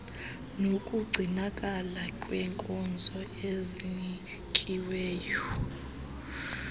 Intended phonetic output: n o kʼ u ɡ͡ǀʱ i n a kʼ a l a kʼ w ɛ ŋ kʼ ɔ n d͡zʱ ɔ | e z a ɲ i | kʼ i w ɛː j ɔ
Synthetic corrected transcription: n o kʼ u ɡ͡ǀʱ i n a kʼ a l a kʼ w ɛ ŋ kʼ ɔ n d͡zʱ ɔ | e z i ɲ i | kʼ i w ɛː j ɔ